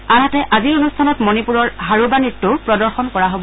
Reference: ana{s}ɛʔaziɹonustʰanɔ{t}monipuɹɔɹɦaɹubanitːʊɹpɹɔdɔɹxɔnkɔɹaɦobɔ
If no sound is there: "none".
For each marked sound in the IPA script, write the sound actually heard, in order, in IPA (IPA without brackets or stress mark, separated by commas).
t, t